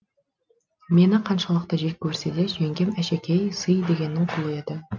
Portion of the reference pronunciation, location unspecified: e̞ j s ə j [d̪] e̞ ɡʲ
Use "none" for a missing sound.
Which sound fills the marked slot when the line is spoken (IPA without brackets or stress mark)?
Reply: d̪